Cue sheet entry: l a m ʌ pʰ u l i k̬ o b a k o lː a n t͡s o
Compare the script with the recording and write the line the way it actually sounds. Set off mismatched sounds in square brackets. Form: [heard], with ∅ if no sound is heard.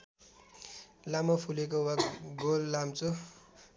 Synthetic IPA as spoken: l a m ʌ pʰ u l [e] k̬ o [w] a [ɡ] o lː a [m] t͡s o